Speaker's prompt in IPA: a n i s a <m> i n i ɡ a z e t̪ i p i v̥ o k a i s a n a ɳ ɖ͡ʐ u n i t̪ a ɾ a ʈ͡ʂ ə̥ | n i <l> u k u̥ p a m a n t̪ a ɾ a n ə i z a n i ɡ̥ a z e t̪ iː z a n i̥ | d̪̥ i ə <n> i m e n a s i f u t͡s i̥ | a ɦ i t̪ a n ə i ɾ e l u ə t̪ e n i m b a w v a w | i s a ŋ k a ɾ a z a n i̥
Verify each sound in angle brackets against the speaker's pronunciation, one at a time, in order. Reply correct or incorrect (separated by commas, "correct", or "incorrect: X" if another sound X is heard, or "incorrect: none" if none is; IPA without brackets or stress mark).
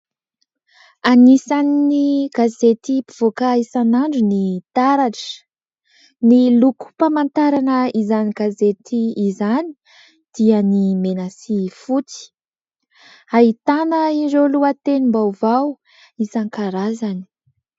incorrect: n, correct, correct